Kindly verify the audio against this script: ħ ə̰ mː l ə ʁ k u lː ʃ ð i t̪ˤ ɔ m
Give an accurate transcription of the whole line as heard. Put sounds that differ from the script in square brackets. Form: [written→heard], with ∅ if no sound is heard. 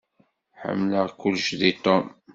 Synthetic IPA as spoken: ħ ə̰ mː l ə ʁ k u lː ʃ ð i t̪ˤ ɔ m

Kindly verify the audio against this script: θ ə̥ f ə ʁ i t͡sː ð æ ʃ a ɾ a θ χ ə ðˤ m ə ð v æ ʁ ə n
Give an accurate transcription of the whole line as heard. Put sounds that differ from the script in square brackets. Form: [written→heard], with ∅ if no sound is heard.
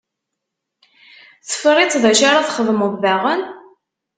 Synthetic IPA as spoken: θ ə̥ f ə ʁ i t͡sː ð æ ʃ a ɾ a θ χ ə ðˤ m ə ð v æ ʁ ə n

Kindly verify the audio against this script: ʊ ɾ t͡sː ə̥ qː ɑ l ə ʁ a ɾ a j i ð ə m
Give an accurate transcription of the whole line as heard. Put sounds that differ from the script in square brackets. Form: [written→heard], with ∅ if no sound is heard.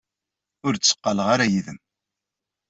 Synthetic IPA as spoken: ʊ ɾ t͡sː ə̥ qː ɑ l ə ʁ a ɾ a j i ð ə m

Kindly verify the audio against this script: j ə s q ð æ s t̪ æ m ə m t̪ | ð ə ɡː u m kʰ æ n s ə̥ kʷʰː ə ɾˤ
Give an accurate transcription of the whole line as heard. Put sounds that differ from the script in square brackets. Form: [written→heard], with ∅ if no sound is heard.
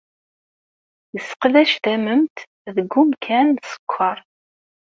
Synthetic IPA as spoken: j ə s q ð æ [s→ʃ] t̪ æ m ə m t̪ | ð ə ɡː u m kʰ æ n s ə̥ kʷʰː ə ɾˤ

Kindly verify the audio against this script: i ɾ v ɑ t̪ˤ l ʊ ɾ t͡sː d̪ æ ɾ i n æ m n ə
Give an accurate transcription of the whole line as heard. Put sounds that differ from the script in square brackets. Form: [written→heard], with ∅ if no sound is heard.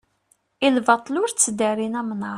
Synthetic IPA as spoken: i [ɾ→l] v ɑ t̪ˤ l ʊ ɾ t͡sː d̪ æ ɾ i n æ m n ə

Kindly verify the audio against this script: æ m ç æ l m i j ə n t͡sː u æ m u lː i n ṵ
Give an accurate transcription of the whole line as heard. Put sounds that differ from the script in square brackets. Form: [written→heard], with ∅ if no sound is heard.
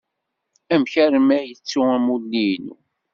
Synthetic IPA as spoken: æ m ç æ [l→ɾ] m [i→æ] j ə [n→∅] t͡sː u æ m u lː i n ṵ

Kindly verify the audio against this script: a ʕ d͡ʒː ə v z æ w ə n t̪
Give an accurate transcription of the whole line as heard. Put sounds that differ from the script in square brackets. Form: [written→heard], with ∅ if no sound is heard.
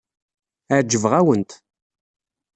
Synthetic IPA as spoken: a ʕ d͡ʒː ə v [z→ʁ] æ w ə n t̪

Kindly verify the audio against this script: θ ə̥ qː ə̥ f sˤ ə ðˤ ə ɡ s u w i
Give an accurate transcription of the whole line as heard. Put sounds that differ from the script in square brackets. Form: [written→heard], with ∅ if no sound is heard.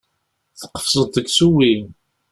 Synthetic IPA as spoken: θ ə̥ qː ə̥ f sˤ ə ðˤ ə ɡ s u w i

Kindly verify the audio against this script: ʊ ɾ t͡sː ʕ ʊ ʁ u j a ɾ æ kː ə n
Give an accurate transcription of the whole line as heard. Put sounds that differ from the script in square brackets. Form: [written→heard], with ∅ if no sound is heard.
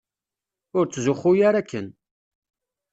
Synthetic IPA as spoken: ʊ ɾ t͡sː [ʕ→z] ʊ [ʁ→χ] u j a ɾ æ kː ə n

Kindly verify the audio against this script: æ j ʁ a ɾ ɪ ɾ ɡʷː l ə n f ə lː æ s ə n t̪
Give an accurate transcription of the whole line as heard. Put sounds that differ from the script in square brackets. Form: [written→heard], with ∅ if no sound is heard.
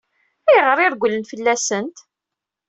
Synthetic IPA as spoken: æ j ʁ [a→ə] ɾ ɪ ɾ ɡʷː l ə n f ə lː æ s ə n t̪

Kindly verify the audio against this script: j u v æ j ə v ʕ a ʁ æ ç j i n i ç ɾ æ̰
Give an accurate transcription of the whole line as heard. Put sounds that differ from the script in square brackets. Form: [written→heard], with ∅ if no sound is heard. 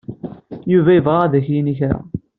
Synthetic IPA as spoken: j u v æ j ə v [ʕ→ʁ] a [ʁ→ð] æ ç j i n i ç ɾ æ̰

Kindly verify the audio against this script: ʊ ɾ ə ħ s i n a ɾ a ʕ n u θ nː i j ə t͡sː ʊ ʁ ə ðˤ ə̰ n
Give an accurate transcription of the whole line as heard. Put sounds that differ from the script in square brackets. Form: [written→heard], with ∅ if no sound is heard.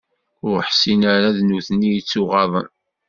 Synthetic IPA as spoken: ʊ ɾ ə ħ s i n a ɾ a [ʕ→ð] n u θ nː i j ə t͡sː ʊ ʁ [ə→ɑ] ðˤ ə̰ n

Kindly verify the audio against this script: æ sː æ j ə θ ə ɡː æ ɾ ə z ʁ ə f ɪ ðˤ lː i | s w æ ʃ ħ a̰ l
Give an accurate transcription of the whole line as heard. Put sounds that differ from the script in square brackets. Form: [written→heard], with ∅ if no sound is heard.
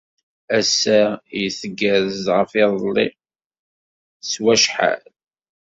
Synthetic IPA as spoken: æ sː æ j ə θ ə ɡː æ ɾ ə z ʁ ə f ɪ ðˤ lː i | s w æ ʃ ħ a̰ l

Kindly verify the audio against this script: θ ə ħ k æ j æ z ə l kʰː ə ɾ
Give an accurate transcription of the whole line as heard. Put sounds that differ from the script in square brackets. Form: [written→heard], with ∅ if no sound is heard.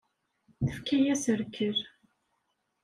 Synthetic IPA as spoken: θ ə [ħ→f] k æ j æ [z→s] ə [l→ɾ] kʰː ə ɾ

